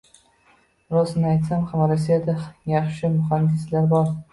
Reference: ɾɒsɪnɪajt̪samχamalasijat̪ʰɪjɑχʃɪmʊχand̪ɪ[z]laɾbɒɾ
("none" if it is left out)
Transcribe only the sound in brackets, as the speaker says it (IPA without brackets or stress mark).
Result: s